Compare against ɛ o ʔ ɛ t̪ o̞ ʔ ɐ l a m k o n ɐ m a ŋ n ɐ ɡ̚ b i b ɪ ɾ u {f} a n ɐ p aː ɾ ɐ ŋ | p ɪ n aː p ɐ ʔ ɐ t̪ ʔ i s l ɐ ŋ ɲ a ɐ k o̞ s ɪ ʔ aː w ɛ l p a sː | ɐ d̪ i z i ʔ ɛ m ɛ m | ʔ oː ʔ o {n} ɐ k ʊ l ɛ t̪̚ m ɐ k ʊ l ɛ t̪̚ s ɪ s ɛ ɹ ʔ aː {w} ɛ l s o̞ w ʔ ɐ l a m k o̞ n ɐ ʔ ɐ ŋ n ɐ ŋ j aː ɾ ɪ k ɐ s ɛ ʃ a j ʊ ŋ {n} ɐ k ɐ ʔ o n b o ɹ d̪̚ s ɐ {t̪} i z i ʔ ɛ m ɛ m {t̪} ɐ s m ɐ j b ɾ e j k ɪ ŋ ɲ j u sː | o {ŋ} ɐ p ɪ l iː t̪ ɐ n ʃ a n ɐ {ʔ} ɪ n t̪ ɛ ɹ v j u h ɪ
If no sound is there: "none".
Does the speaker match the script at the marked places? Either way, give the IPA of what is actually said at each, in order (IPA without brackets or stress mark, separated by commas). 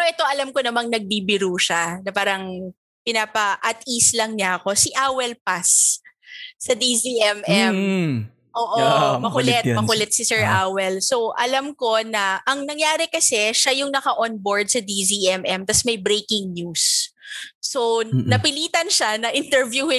ʃ, m, w, n, d̪, t̪, n, ʔ